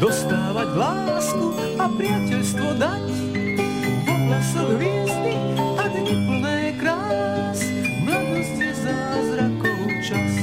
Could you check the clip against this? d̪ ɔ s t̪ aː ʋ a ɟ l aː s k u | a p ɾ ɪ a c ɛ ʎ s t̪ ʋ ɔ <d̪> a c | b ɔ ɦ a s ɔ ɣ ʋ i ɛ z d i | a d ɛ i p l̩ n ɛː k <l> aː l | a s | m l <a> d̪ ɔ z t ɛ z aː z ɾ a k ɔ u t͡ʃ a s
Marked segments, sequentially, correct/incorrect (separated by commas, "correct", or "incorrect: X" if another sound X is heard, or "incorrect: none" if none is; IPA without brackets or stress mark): correct, incorrect: ɾ, correct